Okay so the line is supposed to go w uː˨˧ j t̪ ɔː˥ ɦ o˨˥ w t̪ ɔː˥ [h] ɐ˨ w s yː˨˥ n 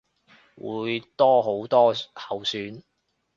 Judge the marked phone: correct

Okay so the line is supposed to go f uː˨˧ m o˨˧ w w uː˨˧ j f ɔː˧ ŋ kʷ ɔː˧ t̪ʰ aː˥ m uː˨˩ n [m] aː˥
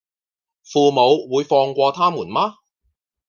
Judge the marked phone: correct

